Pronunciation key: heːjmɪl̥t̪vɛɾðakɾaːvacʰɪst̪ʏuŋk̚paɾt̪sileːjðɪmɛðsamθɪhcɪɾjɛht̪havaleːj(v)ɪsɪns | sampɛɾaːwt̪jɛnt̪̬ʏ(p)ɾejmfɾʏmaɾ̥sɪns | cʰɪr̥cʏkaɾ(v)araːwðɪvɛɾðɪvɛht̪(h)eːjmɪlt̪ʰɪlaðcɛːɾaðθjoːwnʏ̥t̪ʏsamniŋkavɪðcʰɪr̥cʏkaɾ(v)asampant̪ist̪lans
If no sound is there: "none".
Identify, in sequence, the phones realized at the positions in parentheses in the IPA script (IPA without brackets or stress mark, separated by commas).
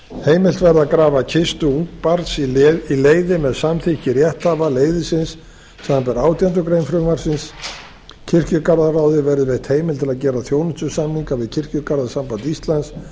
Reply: ð, k, ð, h, ð